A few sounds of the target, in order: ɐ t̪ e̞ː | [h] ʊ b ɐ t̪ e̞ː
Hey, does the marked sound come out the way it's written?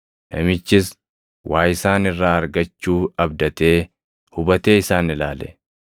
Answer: yes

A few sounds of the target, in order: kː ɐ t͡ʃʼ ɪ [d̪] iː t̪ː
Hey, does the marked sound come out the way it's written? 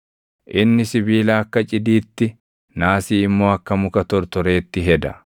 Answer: yes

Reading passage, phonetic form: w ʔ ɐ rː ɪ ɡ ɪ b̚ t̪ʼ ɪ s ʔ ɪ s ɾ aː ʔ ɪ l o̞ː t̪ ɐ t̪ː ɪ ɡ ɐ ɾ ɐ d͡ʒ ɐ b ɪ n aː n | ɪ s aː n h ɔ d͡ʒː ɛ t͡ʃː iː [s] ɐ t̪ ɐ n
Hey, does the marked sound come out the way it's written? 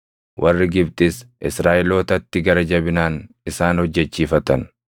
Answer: no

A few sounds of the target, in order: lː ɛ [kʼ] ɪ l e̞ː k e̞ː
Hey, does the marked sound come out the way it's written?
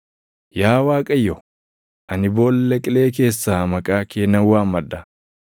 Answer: yes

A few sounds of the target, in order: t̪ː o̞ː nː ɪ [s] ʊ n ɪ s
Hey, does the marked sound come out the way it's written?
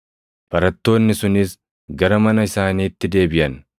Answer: yes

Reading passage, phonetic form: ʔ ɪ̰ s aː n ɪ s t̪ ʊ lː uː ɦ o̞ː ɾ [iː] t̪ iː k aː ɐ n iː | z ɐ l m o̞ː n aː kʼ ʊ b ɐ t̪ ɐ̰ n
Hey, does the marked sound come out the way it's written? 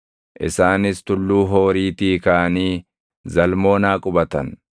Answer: yes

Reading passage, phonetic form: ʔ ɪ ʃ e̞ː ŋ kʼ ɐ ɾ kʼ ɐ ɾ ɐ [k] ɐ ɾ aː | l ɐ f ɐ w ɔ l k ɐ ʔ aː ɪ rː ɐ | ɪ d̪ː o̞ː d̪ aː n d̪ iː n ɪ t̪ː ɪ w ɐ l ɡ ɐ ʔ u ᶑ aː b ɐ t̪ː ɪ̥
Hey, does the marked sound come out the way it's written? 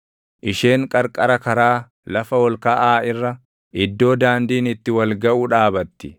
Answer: yes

